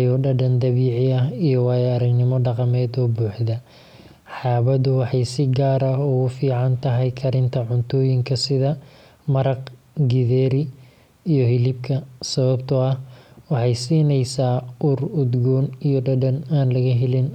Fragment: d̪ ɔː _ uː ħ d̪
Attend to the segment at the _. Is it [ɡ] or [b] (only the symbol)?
b